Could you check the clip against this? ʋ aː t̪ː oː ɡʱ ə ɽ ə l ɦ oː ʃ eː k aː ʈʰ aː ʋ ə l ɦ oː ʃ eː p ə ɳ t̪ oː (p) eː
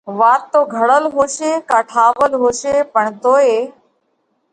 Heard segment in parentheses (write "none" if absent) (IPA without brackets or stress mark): none